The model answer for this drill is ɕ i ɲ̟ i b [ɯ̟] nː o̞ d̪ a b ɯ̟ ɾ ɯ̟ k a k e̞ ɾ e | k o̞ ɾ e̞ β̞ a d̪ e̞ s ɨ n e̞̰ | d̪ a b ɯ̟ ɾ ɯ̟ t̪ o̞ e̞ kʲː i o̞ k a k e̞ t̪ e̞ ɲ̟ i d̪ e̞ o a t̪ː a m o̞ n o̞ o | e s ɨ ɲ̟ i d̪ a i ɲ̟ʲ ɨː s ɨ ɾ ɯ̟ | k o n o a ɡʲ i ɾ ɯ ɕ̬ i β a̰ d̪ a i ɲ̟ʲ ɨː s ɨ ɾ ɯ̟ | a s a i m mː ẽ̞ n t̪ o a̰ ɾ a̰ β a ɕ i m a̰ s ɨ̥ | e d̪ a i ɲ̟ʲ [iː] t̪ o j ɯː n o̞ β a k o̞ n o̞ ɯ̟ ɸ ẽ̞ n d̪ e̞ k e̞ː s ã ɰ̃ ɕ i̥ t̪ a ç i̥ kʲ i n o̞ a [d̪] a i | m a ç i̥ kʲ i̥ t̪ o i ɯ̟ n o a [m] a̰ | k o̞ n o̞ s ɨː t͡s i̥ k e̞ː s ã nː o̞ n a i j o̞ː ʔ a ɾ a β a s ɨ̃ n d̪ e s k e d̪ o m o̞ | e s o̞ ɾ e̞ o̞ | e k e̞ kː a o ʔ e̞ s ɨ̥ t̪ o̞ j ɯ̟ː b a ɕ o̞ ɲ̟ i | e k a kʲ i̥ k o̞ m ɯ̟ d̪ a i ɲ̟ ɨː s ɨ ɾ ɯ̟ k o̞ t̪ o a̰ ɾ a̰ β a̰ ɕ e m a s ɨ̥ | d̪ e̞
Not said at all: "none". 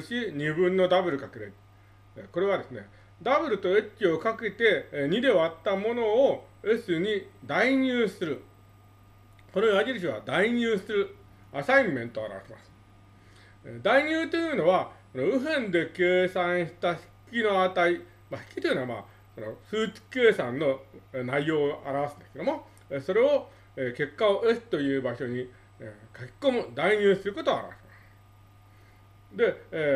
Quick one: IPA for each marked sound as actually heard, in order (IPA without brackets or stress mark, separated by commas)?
ɯ̟̃, ɨː, t̪, m